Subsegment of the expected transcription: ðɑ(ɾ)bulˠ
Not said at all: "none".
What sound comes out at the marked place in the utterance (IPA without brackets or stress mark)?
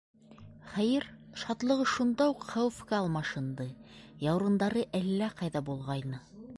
none